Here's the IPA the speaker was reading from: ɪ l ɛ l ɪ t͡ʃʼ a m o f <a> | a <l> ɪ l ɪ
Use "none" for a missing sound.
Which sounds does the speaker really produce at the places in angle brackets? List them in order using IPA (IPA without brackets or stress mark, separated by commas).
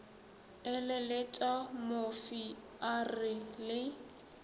i, r